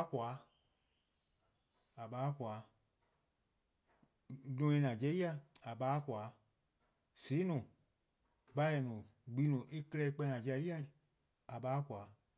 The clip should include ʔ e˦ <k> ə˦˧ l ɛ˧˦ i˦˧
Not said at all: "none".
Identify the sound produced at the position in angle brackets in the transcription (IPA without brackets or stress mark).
k